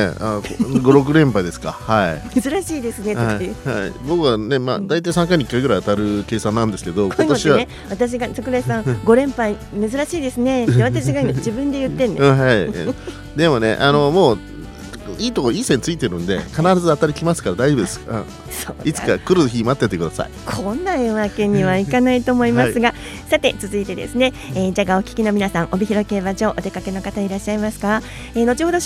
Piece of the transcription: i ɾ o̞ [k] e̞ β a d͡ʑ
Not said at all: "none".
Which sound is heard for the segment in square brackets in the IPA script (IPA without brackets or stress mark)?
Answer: k